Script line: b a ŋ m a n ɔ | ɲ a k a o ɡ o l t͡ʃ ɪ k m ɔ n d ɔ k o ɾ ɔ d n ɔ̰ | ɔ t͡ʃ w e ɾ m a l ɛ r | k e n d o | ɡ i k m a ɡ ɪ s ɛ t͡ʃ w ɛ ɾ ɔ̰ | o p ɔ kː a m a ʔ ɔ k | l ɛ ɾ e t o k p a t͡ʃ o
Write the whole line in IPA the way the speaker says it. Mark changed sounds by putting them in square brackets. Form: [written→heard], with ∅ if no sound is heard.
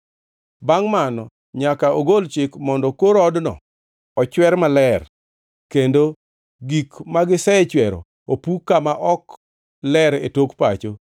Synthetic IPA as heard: b a ŋ m a n ɔ | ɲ a k a o ɡ o l t͡ʃ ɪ k m ɔ n d ɔ k o ɾ ɔ d n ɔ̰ | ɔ t͡ʃ w [e→ɛ] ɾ m a l ɛ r | k e n d o | ɡ i k m a ɡ ɪ s ɛ t͡ʃ w ɛ ɾ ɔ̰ | o p [ɔ→u] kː a m a ʔ ɔ k | l ɛ ɾ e t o k p a t͡ʃ o